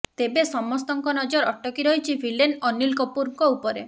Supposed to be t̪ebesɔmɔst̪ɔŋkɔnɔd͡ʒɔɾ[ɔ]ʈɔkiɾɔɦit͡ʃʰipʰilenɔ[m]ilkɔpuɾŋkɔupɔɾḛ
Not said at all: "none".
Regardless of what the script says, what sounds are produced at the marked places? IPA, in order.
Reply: ɔ, n

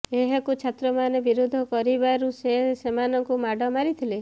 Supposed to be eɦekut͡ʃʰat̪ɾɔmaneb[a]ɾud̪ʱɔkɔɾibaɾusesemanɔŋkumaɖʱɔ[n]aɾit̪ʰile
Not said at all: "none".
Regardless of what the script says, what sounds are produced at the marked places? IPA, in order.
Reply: i, m

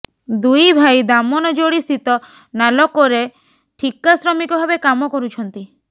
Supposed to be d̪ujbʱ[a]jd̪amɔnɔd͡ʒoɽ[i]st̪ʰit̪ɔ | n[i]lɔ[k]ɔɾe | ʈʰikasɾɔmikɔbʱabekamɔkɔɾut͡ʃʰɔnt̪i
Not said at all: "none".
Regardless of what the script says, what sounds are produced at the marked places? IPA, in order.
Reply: a, i, a, k

